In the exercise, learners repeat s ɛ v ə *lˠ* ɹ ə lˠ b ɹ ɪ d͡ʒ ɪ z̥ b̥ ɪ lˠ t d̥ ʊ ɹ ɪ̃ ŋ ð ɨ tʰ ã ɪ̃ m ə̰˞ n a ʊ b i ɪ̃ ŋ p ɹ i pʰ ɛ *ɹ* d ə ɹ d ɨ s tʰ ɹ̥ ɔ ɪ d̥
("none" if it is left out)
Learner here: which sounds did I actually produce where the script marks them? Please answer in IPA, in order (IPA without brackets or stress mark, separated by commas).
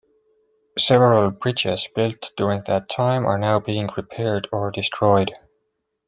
none, ɹ